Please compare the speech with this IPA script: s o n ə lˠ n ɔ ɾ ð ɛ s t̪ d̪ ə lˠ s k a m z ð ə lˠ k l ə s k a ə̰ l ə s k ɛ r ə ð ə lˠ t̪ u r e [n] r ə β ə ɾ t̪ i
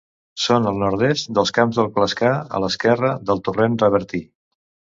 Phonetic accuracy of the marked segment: correct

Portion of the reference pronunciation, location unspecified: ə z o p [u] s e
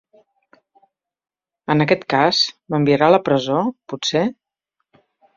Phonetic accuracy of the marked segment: correct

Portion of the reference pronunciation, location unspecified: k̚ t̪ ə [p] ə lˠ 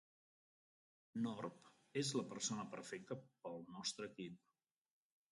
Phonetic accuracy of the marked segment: correct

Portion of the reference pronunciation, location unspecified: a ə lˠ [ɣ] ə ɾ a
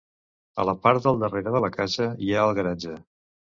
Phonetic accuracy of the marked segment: correct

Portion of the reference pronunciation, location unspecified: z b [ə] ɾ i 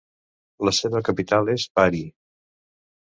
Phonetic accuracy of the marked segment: incorrect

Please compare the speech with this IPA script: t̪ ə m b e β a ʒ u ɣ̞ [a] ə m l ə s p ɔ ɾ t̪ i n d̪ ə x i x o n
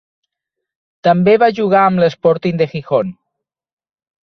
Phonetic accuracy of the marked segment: correct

